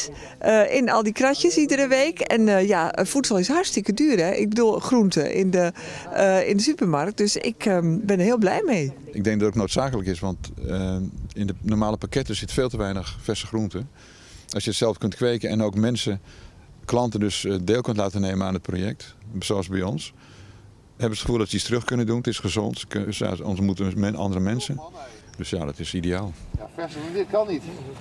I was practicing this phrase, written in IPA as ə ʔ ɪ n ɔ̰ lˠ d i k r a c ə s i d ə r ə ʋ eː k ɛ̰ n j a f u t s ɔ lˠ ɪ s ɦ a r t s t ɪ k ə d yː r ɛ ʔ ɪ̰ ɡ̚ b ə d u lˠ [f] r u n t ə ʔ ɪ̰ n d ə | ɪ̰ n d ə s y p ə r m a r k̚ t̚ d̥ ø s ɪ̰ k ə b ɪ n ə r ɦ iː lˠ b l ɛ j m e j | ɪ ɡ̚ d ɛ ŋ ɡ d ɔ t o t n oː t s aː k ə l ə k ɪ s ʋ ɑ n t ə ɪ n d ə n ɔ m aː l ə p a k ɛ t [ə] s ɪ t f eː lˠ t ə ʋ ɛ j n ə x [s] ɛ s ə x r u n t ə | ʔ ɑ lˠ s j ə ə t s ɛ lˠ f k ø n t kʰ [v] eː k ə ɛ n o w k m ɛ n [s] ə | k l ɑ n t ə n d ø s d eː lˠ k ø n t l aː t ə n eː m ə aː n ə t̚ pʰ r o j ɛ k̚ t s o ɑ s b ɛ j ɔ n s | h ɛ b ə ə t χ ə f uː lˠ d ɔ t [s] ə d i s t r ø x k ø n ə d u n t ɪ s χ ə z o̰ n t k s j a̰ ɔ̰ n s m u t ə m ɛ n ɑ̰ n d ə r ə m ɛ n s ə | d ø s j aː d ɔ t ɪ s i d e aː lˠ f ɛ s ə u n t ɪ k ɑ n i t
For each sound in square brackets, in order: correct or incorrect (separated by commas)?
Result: incorrect, correct, incorrect, incorrect, correct, correct